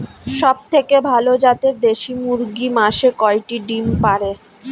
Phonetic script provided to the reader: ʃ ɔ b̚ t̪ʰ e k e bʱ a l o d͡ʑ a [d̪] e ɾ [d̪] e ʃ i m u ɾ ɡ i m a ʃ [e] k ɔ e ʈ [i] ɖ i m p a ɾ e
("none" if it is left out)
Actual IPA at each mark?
t̪, d̪, e, i

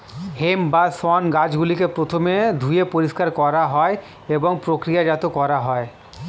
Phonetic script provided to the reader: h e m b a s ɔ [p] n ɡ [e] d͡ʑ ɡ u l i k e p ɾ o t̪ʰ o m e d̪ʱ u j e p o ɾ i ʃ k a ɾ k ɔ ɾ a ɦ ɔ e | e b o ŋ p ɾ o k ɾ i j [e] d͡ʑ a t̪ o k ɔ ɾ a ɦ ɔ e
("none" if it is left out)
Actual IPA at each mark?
none, a, a

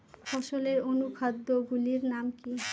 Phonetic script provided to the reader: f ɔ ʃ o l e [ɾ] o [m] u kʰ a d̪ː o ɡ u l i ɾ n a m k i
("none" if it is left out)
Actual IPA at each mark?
ɾ, n

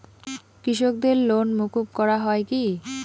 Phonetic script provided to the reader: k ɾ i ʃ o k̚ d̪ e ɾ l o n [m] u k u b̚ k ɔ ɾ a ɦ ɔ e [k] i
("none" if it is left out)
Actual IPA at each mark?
m, k

